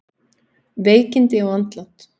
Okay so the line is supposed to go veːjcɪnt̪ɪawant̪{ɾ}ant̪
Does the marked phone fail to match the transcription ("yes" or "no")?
yes